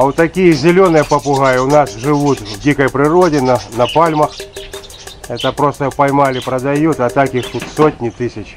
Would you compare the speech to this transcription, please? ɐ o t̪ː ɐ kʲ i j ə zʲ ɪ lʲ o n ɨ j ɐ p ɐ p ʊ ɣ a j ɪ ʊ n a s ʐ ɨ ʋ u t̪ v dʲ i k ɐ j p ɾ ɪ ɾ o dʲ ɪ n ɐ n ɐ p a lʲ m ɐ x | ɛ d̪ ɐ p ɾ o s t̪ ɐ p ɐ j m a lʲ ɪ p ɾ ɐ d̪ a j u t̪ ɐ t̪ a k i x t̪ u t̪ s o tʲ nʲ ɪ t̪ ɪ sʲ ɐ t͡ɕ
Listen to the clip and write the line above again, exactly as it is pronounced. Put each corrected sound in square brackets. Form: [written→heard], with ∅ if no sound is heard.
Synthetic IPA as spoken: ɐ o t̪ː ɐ kʲ i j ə zʲ ɪ lʲ o n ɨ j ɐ p ɐ p ʊ ɣ a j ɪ ʊ n a s ʐ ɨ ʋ u t̪ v dʲ i k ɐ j p ɾ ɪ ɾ o dʲ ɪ n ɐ n ɐ p a lʲ m ɐ x | ɛ [d̪→t̪] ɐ p ɾ o s t̪ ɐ p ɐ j m a lʲ ɪ p ɾ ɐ d̪ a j u t̪ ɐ t̪ a k i x t̪ u t̪ s o tʲ nʲ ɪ t̪ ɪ sʲ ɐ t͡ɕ